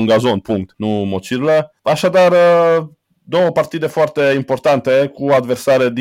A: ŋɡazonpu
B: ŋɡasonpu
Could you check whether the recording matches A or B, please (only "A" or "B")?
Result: A